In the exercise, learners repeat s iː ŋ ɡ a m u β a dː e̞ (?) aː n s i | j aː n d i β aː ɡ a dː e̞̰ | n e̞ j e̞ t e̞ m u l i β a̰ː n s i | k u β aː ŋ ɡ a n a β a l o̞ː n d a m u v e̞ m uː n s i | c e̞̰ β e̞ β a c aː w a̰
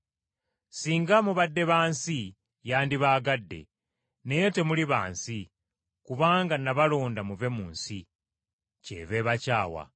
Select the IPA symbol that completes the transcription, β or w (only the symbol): β